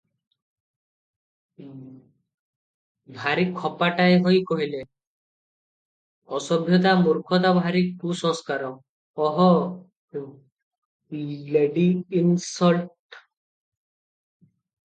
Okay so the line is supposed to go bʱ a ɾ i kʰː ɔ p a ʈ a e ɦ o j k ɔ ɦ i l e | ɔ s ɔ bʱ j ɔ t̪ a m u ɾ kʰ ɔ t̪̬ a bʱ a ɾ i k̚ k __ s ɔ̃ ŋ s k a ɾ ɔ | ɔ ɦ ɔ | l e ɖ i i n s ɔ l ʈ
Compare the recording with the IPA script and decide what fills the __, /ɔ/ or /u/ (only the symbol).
u